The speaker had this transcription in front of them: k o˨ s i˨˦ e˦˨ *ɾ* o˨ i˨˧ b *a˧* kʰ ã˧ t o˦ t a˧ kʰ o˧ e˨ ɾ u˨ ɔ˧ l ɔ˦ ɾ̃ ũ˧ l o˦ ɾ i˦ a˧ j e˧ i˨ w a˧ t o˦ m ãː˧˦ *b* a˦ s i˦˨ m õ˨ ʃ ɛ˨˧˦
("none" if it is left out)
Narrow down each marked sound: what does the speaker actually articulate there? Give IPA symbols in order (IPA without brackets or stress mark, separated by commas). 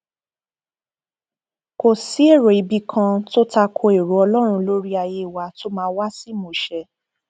ɾ, i˧, w